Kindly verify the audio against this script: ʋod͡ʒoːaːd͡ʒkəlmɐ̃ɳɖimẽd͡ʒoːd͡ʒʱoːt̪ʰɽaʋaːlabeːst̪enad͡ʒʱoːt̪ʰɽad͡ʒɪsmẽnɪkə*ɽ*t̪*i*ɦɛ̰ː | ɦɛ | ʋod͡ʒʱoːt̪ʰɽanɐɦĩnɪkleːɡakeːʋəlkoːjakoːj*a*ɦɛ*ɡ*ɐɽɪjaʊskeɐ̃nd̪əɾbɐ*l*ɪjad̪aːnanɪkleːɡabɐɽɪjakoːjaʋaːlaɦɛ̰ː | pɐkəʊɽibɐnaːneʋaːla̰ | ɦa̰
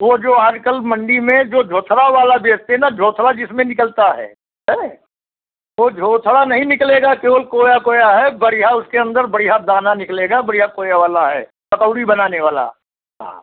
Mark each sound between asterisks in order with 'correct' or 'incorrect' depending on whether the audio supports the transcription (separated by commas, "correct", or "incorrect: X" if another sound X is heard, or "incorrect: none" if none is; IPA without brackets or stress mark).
incorrect: l, incorrect: a, correct, incorrect: b, incorrect: ɽ